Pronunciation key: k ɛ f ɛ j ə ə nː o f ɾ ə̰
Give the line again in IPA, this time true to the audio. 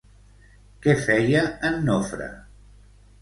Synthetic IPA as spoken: k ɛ f ɛ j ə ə nː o f ɾ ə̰